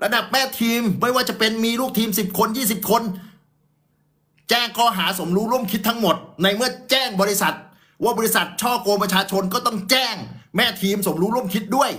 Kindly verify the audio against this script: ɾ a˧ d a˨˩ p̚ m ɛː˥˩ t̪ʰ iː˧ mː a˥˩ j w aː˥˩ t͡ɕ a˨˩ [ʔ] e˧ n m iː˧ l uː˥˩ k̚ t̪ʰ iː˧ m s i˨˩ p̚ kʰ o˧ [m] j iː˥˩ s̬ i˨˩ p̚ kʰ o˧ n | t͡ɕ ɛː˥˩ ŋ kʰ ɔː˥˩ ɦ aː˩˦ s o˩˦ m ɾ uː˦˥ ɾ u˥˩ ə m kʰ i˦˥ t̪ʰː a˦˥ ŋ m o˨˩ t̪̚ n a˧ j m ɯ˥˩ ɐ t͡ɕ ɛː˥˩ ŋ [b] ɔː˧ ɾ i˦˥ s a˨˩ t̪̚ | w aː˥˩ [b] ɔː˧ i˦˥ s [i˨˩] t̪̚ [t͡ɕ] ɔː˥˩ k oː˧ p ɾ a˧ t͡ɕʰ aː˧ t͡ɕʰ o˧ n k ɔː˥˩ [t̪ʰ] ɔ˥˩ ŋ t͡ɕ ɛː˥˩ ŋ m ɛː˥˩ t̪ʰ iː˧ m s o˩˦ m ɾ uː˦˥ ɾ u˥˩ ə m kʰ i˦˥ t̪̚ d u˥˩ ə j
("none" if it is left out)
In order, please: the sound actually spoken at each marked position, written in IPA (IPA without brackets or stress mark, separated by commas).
p, n, b, b, a˨˩, t͡ɕʰ, t̪